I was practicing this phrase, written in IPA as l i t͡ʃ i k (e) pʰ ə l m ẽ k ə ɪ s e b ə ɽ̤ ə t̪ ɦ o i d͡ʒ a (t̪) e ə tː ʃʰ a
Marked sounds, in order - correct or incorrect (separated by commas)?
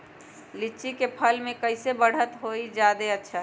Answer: correct, incorrect